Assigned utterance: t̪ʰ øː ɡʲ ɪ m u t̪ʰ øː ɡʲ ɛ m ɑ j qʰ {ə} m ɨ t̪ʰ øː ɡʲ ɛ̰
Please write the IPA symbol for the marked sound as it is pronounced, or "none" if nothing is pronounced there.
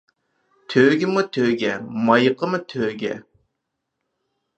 ə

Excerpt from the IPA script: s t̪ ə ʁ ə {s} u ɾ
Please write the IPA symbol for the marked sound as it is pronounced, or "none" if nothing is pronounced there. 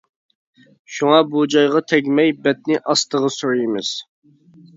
s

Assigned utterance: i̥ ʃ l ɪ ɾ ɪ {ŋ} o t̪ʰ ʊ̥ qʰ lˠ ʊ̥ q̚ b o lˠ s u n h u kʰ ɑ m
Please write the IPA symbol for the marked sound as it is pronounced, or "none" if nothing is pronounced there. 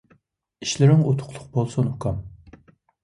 ŋ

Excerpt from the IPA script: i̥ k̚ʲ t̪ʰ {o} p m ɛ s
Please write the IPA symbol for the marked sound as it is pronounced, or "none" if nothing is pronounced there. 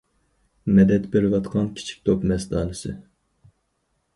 o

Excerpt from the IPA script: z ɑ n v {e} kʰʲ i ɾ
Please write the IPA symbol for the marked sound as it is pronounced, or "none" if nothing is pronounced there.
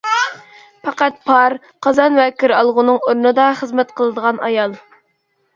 ɛ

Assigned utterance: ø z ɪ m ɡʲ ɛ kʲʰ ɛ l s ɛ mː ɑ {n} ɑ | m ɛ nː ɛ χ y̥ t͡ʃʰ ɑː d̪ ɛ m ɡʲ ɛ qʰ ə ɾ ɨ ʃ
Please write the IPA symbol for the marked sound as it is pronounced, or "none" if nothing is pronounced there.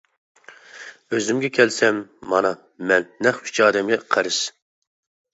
n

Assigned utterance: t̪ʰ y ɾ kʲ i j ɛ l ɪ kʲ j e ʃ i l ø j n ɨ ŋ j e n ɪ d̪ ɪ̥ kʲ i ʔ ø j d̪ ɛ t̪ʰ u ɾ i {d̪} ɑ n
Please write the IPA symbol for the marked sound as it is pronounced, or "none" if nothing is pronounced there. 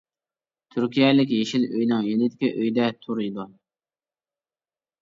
d̪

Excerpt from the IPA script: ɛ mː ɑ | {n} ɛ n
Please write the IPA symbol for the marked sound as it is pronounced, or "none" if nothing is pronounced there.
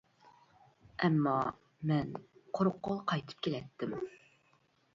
m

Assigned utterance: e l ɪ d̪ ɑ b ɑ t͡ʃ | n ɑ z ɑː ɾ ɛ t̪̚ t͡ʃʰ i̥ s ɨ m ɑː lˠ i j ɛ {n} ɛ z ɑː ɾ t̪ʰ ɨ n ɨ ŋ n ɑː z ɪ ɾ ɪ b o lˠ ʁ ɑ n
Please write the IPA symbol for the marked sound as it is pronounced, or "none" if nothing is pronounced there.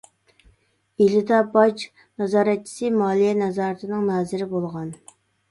n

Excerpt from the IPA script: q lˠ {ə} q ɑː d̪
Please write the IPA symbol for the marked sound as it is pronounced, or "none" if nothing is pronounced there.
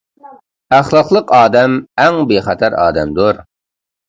ə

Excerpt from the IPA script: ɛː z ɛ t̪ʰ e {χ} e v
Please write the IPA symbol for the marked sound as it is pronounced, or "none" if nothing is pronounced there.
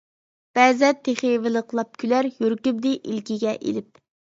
χ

